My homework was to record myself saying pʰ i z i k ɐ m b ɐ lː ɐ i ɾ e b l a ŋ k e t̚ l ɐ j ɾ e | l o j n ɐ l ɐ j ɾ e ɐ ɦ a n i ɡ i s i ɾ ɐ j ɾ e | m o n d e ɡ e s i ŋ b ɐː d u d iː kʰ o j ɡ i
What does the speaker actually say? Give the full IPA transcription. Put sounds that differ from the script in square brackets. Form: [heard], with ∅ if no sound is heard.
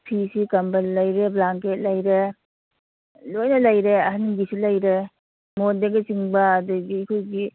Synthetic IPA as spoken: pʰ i [s] i k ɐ m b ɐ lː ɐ [j] ɾ e b l a ŋ k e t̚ l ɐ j ɾ e | l o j n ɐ l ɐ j ɾ e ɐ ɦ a n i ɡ i s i [l] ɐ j ɾ e | m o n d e ɡ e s i ŋ b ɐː d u [ɡ] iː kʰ o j ɡ i

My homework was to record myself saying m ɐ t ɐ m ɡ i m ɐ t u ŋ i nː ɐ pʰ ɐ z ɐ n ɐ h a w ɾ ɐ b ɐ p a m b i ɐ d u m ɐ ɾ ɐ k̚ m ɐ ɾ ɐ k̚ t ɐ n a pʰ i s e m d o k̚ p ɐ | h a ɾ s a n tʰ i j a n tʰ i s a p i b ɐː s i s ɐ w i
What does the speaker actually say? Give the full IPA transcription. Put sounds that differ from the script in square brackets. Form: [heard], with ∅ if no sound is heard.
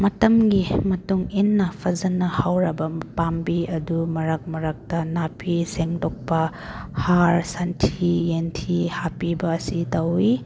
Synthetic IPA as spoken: m ɐ t ɐ m ɡ i m ɐ t u ŋ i nː ɐ pʰ ɐ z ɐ n ɐ h a w ɾ ɐ b ɐ p a m b i ɐ d u m ɐ ɾ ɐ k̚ m ɐ ɾ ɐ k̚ t ɐ n a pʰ i s e [ŋ] d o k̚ p ɐ | h a ɾ s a n tʰ i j [e] n tʰ i [h] a p i b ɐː s i [t] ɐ w i

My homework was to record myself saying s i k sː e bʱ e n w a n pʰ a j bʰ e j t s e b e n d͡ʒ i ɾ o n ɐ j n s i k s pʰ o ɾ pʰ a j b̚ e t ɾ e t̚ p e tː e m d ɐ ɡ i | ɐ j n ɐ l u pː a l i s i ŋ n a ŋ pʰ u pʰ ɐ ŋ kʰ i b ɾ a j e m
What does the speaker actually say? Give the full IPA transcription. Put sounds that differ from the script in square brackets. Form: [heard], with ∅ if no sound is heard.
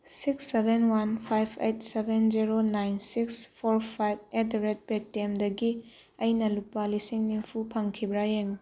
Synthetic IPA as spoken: s i k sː e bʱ e n w a n pʰ a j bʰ e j t s e b e n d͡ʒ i ɾ o n [a] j n s i k s pʰ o ɾ pʰ a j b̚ e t ɾ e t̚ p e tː e m d ɐ ɡ i | ɐ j n ɐ l u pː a l i s i ŋ n [i] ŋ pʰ u pʰ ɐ ŋ kʰ i b ɾ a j e [ŋ]

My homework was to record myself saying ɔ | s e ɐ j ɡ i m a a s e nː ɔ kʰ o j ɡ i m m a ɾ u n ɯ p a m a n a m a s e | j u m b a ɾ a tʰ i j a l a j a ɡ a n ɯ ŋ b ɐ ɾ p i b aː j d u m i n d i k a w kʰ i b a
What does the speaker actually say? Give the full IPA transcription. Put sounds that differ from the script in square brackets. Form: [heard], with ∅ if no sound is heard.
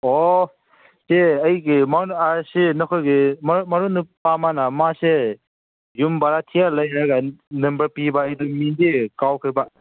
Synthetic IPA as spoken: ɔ | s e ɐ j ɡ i m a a s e [n] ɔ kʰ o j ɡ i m m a ɾ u n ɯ p a m a n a m a s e | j u m b a ɾ a tʰ i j a l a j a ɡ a n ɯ [m] b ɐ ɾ p i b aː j d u m i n d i k a w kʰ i b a

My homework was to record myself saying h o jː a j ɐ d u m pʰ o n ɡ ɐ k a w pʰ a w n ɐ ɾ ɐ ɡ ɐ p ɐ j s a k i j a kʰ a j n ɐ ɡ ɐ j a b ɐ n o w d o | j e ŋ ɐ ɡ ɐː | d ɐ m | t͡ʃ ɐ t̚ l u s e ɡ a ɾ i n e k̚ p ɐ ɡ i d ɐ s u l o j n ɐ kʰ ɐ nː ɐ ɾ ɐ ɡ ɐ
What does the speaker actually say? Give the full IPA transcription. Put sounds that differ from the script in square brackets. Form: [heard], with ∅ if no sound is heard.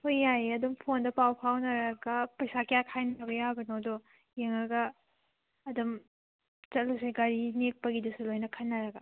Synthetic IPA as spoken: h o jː a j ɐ d u m pʰ o n [d] ɐ [p] a w pʰ a w n ɐ ɾ ɐ ɡ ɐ p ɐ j s a k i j a kʰ a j n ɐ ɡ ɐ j a b ɐ n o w d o | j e ŋ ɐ ɡ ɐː | d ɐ m | t͡ʃ ɐ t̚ l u s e ɡ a ɾ i n e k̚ p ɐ ɡ i d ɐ s u l o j n ɐ kʰ ɐ nː ɐ ɾ ɐ ɡ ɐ

